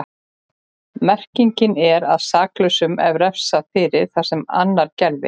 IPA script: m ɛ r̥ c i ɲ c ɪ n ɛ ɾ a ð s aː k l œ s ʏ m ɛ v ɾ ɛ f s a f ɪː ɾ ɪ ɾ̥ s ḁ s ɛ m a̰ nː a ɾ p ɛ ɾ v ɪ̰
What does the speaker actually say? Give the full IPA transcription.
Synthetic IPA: m ɛ r̥ c i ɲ c ɪ n ɛ ɾ a ð s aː k l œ s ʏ m ɛ v ɾ ɛ f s a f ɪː ɾ ɪ ɾ̥ θ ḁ s ɛ m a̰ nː a ɾ c ɛ ɾ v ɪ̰